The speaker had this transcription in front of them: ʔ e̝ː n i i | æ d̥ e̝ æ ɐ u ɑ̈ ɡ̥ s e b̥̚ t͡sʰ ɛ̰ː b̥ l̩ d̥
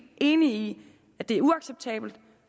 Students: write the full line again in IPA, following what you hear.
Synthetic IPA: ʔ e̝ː n i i | æ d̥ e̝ æ ɐ u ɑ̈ ɡ̥ s e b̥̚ t͡sʰ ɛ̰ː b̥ l̩ d̥